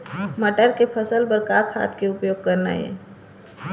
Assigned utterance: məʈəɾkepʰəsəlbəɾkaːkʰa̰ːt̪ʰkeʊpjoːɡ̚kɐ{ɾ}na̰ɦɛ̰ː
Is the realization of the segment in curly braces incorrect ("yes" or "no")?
no